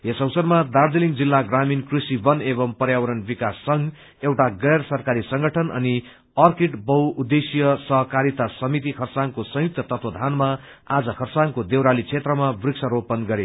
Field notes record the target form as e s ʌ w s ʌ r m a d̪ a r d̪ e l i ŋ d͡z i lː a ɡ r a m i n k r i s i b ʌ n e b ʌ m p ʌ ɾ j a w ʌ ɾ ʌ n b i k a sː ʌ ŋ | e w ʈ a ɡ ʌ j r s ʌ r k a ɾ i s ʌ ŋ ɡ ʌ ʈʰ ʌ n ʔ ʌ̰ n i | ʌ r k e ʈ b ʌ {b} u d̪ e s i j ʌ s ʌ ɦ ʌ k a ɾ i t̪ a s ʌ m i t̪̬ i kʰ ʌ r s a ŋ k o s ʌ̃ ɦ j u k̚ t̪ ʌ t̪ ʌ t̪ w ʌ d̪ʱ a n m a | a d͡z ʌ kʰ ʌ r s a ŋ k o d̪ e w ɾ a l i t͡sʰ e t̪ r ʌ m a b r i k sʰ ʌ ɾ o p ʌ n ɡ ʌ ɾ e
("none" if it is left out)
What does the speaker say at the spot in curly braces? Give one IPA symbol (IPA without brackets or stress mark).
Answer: w